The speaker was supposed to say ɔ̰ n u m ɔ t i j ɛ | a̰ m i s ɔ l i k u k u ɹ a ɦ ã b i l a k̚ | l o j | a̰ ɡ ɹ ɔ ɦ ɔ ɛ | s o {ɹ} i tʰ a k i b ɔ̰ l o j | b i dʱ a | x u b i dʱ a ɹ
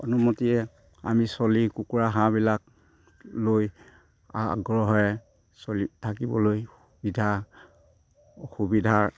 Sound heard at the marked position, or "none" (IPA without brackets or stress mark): l